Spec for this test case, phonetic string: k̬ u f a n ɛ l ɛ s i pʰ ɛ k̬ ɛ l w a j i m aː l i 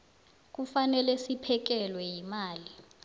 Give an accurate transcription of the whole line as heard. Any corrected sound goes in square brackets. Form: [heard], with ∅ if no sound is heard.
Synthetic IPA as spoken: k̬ u f a n ɛ l ɛ s i pʰ ɛ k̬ ɛ l w [ɛ] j i m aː l i

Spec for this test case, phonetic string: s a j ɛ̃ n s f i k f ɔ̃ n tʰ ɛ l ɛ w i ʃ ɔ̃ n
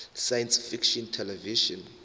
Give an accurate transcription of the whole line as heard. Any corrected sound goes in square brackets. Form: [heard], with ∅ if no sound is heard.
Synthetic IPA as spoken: s a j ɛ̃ n s f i k [ʃ] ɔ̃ n tʰ ɛ l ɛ [v] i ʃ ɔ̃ n

